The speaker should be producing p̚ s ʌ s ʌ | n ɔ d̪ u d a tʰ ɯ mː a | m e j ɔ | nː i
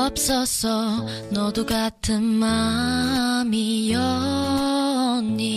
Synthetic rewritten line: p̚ s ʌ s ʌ | n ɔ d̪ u ɡ a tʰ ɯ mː a | m i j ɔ | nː i